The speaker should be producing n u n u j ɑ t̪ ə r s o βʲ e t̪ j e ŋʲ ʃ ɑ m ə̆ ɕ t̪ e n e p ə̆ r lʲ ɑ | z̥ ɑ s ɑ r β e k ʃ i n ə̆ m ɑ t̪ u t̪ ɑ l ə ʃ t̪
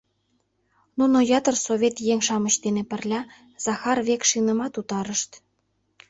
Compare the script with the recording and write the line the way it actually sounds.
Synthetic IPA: n u n o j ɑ t̪ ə r s o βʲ e t̪ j e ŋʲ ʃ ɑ m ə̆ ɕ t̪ e n e p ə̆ r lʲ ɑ | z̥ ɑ x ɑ r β e k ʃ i n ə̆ m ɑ t̪ u t̪ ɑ ɾ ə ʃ t̪